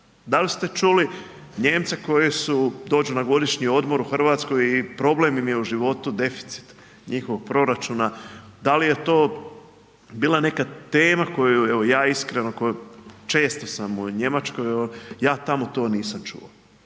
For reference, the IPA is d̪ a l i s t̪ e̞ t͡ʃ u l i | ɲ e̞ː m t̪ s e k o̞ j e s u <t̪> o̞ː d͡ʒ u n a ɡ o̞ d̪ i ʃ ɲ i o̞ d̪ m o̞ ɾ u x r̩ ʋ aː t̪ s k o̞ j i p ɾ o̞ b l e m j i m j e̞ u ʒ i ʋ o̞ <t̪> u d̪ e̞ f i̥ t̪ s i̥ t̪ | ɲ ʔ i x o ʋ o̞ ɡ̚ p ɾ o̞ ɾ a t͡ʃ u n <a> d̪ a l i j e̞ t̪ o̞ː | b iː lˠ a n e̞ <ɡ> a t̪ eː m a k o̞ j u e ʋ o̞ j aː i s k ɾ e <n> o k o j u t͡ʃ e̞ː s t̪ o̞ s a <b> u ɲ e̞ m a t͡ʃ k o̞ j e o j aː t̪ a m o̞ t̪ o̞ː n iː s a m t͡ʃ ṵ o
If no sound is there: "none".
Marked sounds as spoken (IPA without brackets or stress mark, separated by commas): d̪, t̪, a, k, n, m